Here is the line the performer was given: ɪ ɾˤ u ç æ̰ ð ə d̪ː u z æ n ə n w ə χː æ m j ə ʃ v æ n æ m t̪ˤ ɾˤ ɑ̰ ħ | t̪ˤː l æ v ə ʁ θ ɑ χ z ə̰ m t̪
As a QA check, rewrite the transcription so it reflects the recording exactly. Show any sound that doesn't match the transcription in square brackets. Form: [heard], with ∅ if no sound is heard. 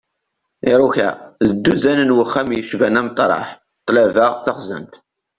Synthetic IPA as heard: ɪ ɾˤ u ç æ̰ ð ə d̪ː u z æ n ə n w ə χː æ m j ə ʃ v æ n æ m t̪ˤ ɾˤ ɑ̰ ħ | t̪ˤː l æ v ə ʁ θ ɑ χ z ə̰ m t̪